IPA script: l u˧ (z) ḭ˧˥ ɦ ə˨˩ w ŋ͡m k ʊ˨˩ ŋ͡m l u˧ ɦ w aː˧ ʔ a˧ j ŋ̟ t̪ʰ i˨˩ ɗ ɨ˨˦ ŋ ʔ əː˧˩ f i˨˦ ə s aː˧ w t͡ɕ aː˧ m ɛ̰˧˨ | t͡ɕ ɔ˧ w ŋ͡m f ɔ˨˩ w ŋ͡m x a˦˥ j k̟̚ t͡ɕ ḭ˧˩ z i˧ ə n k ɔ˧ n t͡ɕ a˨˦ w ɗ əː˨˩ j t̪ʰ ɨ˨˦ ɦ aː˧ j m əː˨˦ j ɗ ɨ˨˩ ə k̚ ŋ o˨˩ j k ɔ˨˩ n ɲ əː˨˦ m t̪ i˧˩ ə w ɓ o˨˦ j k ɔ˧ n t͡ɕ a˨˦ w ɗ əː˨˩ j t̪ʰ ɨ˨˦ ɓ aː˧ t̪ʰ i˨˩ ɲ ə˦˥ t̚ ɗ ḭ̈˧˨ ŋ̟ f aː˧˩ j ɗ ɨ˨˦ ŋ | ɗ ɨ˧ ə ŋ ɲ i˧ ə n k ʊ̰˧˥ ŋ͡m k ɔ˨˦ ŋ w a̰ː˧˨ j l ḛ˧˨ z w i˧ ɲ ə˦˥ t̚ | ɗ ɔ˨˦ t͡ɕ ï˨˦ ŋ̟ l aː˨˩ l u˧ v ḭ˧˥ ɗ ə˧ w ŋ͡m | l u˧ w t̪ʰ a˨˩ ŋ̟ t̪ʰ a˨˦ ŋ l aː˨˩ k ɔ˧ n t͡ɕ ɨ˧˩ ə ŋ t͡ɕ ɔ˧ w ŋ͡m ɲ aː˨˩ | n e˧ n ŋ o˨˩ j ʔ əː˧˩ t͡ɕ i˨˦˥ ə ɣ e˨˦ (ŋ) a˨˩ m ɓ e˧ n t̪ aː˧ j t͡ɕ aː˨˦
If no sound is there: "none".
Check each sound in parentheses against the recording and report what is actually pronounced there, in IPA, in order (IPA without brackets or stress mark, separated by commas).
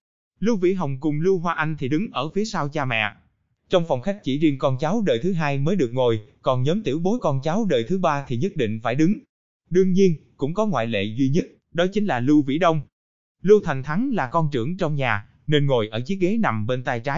v, n